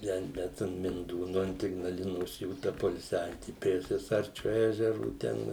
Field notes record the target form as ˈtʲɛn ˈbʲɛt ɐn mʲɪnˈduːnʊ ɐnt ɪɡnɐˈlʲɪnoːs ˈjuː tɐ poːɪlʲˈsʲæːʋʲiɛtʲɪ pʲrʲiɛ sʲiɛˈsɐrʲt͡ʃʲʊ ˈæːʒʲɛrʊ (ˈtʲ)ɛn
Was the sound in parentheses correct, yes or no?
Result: yes